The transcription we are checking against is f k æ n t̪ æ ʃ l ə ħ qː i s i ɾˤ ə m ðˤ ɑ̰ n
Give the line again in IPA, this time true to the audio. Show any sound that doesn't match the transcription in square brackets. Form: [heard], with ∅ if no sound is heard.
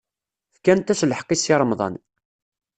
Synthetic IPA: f k æ n t̪ æ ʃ l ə ħ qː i s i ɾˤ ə m ðˤ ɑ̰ n